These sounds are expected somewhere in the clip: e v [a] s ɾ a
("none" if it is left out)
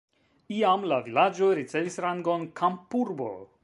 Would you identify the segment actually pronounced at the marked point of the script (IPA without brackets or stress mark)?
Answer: i